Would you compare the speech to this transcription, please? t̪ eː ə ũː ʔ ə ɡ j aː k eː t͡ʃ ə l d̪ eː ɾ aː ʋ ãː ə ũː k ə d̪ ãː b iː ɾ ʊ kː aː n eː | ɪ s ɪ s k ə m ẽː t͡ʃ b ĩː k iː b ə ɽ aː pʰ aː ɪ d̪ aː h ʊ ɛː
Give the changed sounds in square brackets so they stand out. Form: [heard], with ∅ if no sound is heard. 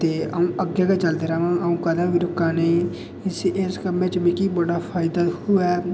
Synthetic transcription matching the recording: t̪ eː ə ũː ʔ ə ɡ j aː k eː t͡ʃ ə l d̪ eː ɾ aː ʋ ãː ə ũː k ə d̪ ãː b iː ɾ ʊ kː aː n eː | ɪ s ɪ s k ə m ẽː t͡ʃ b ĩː k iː b ə ɽ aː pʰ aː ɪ d̪ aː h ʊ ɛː